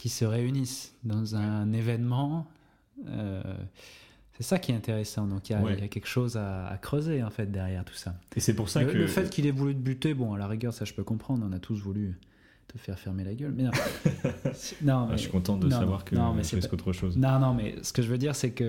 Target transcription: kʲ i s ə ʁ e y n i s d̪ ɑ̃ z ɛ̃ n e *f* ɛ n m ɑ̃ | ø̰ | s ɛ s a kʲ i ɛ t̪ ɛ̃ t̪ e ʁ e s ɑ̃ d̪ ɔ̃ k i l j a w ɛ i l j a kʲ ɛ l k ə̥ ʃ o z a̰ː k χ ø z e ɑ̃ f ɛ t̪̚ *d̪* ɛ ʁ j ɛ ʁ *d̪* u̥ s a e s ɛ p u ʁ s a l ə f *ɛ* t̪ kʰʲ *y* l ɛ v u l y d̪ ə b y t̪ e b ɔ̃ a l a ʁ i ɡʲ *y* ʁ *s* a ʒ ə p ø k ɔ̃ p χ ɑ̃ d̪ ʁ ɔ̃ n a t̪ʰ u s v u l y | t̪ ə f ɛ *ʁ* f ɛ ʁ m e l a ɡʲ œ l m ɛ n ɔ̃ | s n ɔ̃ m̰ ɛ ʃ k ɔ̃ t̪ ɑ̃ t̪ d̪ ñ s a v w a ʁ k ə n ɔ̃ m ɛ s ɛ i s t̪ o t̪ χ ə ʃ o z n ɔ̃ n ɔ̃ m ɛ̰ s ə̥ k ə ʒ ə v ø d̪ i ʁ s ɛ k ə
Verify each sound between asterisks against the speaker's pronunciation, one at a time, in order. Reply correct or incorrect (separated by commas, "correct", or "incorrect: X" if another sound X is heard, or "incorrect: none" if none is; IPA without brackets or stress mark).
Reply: incorrect: v, correct, incorrect: t̪, correct, incorrect: i, incorrect: œ, correct, correct